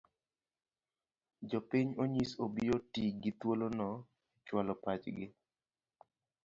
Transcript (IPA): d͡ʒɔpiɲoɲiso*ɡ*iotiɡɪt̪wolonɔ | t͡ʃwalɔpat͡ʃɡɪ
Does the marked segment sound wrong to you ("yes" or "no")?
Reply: yes